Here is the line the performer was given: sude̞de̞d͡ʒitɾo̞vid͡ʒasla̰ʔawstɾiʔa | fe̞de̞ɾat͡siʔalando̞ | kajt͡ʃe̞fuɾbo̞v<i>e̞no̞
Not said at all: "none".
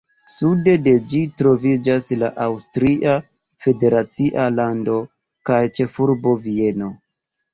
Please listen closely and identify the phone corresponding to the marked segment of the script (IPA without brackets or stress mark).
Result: i